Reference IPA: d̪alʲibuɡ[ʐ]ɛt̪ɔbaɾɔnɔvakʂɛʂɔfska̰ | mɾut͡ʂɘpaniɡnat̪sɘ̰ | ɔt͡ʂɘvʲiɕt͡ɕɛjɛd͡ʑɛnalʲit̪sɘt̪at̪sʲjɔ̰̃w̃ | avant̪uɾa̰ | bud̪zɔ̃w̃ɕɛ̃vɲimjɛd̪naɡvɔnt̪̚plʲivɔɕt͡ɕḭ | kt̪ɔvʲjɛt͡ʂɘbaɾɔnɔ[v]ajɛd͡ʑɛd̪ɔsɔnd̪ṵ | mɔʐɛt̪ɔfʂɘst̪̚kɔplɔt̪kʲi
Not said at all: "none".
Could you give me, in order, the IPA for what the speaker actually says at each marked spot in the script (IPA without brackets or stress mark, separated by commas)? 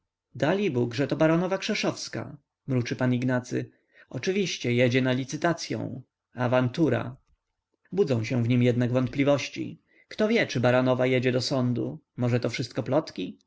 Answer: ʐ, v